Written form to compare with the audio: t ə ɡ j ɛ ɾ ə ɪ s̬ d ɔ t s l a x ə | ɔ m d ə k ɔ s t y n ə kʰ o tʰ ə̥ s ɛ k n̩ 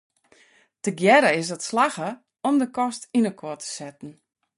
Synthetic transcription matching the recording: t ə ɡ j ɛ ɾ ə ɪ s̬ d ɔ t s l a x ə | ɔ m d ə k ɔ s t i n ə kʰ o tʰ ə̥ s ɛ t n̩